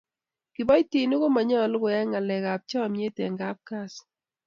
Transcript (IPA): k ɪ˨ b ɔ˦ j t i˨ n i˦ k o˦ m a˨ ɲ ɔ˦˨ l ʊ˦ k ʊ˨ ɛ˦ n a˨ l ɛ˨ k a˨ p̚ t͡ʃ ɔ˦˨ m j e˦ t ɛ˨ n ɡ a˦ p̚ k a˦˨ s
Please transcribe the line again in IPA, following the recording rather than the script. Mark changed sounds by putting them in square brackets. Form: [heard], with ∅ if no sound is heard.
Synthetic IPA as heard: k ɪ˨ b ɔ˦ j t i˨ n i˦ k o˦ m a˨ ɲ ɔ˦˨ l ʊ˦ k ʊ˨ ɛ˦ [ŋ] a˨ l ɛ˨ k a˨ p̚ t͡ʃ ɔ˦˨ m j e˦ t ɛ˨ [ŋ] ɡ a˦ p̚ k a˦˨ s